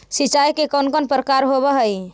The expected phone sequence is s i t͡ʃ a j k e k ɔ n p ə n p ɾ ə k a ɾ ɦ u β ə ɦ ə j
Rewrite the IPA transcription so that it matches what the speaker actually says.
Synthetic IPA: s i t͡ʃ a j k e k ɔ n k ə n p ɾ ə k a ɾ ɦ o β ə ɦ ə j